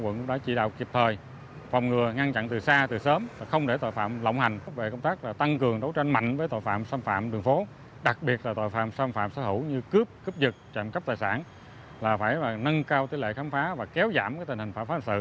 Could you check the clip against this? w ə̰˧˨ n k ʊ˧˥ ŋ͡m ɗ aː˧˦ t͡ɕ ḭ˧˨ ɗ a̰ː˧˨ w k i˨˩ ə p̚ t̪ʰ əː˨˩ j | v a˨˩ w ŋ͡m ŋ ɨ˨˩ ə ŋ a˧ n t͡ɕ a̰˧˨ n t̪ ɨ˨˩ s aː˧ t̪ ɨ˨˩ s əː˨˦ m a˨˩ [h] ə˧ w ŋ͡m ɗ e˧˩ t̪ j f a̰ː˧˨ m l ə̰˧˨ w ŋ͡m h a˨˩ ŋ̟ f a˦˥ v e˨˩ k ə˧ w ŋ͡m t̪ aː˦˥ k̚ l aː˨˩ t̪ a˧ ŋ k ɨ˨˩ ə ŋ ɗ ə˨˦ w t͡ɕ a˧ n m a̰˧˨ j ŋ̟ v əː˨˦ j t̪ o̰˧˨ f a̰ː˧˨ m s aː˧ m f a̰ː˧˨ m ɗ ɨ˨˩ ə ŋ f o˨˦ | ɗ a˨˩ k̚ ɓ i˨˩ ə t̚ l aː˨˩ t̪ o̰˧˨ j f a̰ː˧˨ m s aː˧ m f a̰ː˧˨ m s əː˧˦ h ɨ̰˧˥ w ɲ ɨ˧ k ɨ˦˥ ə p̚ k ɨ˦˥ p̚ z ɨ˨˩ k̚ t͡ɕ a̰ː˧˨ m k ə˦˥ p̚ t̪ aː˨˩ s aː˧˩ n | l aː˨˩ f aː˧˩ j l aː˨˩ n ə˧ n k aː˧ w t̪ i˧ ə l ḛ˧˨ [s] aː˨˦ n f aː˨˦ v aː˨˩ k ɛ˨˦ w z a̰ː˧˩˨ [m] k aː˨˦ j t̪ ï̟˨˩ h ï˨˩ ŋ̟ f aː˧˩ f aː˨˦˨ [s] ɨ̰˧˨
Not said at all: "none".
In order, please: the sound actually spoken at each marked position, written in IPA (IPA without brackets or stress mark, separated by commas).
x, x, m, s